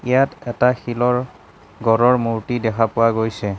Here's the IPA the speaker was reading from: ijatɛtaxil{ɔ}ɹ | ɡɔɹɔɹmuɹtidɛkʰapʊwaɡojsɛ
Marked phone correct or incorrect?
correct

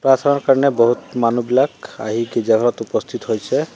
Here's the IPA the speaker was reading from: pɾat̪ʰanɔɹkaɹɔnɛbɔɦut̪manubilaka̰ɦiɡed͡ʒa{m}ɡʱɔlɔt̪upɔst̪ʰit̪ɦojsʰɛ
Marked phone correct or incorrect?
incorrect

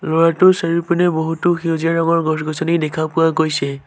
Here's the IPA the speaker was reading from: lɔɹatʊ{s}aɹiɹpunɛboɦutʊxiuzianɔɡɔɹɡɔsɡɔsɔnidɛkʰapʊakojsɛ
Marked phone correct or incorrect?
correct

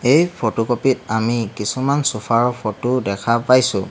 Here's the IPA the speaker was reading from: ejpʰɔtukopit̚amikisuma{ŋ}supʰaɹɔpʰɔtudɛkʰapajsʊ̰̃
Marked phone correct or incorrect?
incorrect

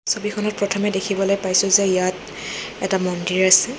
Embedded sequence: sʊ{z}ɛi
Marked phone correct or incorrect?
correct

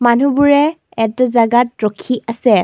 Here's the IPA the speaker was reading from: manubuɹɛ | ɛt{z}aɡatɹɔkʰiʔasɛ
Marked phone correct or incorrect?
correct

